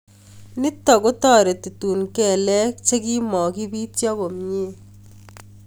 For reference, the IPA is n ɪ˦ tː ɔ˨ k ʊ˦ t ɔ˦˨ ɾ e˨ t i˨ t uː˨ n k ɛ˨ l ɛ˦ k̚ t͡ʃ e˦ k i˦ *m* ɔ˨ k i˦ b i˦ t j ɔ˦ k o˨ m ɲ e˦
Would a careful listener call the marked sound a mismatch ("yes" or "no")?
no